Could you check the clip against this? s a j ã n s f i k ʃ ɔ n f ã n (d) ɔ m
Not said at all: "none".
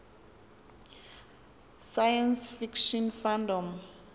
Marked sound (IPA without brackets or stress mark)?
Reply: d